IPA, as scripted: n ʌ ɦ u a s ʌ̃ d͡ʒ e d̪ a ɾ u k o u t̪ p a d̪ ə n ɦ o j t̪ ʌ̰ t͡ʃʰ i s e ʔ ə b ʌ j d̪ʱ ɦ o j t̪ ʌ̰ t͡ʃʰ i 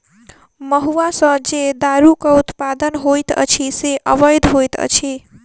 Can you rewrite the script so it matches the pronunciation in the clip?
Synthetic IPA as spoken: m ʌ ɦ u a s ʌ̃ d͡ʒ e d̪ a ɾ u k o u t̪ p a d̪ ə n ɦ o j t̪ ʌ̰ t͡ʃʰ i s e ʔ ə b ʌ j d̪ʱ ɦ o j t̪ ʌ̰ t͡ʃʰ i